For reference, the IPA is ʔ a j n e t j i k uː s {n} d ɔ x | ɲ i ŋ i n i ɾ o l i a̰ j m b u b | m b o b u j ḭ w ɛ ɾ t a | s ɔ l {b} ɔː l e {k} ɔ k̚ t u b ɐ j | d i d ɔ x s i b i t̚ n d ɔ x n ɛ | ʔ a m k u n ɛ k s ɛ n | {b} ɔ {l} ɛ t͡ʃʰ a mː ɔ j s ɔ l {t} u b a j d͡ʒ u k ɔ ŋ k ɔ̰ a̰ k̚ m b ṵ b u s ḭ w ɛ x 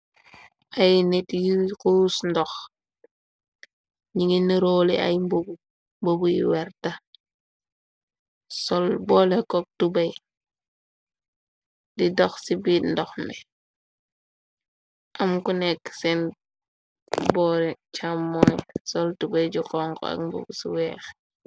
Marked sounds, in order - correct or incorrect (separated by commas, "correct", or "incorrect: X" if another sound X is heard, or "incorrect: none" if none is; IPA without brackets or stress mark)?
correct, correct, correct, correct, incorrect: ɾ, correct